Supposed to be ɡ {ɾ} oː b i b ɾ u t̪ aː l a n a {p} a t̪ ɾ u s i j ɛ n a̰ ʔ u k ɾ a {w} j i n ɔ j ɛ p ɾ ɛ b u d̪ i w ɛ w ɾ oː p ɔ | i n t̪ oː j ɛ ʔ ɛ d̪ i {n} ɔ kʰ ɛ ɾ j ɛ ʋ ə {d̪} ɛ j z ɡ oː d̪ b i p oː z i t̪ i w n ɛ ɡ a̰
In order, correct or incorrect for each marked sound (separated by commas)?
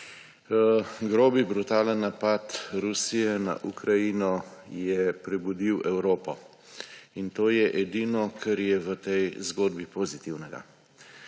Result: correct, correct, incorrect, correct, incorrect